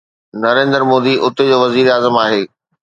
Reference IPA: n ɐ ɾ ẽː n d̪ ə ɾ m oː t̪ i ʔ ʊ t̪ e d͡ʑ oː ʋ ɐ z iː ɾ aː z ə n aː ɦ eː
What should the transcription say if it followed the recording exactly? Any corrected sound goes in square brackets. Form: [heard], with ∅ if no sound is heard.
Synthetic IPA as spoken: n ɐ ɾ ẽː n d̪ ə ɾ m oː [d̪] i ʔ ʊ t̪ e d͡ʑ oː ʋ ɐ z iː ɾ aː z ə [m] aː ɦ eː